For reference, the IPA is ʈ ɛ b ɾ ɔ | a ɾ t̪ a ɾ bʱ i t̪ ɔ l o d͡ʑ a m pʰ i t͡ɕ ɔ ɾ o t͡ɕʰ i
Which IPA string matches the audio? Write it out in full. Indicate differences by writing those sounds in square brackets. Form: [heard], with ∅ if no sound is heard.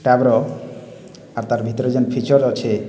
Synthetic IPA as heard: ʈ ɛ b ɾ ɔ | a ɾ t̪ a ɾ bʱ i t̪ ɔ [ɾ] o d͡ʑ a [n] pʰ i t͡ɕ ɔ ɾ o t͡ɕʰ [e]